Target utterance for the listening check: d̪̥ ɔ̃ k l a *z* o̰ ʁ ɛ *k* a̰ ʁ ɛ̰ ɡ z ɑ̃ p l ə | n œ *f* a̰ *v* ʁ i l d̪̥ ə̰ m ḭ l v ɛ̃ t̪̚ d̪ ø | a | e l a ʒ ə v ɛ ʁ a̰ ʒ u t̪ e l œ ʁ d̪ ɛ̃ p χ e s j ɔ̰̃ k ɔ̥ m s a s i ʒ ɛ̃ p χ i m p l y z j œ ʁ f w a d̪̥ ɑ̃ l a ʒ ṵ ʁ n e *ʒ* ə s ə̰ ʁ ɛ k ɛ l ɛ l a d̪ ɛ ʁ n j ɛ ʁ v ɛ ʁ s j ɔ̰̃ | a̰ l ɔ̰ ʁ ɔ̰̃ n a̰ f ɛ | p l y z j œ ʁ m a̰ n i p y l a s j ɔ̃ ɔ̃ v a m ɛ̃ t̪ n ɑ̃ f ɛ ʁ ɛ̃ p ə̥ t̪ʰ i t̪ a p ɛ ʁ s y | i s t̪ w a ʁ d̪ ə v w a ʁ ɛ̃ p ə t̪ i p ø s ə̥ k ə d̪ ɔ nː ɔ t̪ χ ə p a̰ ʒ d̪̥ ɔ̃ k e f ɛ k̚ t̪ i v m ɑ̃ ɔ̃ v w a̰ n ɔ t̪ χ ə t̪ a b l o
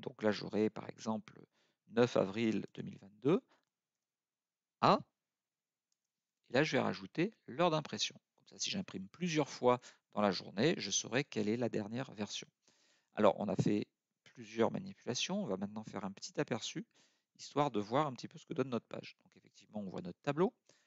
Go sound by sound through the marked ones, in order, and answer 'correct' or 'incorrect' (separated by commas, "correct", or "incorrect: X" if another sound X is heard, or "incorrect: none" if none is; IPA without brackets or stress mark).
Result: incorrect: ʒ, incorrect: p, correct, correct, correct